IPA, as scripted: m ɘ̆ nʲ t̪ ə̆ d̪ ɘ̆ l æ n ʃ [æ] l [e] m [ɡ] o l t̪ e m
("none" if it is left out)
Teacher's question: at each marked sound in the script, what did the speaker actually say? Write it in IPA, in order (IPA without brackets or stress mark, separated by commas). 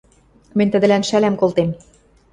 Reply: æ, æ, k